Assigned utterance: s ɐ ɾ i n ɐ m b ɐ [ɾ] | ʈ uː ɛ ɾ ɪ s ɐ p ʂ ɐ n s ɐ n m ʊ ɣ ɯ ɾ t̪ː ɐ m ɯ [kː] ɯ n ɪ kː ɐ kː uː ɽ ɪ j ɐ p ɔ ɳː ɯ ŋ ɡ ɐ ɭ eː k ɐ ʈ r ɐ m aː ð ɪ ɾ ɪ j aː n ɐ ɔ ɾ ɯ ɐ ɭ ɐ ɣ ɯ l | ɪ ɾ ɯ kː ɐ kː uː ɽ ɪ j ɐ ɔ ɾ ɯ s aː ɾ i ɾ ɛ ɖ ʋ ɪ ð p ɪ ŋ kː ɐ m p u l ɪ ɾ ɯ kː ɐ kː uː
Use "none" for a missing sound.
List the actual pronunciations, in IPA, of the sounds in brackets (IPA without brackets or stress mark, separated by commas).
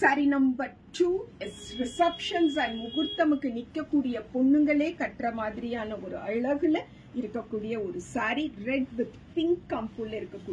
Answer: ɾ, kː